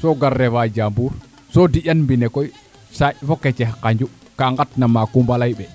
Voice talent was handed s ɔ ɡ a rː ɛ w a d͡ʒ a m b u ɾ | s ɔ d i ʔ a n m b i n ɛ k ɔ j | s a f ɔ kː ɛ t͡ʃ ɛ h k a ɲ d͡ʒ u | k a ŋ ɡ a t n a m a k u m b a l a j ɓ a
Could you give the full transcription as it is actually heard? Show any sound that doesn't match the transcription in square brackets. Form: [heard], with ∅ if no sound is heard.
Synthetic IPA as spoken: s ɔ ɡ a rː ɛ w a d͡ʒ a m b u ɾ | s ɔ d i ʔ a n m b i n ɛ k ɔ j | s a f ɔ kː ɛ t͡ʃ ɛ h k a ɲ d͡ʒ u | k a ŋ ɡ a t n a m a k u m b a l a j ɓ [ɛ]